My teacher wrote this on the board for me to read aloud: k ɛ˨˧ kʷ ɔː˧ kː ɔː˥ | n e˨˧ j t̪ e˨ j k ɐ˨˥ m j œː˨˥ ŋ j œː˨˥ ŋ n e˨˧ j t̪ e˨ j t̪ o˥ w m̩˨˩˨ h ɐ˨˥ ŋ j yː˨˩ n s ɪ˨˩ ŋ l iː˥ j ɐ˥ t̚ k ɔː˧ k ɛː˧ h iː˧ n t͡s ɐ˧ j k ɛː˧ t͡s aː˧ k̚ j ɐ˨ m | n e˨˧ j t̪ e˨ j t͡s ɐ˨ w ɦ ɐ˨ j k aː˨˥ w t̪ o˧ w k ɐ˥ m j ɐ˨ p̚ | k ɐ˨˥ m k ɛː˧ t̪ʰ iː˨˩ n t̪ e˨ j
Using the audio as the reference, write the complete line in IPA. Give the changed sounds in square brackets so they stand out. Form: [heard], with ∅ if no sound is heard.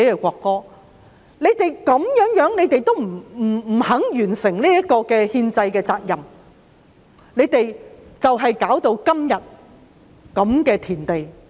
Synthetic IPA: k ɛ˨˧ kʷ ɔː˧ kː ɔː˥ | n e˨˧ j t̪ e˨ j k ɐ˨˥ m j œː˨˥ ŋ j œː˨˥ ŋ n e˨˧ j t̪ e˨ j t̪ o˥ w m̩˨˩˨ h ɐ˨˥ ŋ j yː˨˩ n s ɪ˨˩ ŋ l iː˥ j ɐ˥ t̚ k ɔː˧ k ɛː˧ h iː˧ n t͡s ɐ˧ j k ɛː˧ t͡s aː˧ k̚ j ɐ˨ m | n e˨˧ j t̪ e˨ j t͡s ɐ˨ w ɦ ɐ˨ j k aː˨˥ w t̪ o˧ w k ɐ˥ m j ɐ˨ [t̚] | k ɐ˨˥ m k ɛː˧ t̪ʰ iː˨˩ n t̪ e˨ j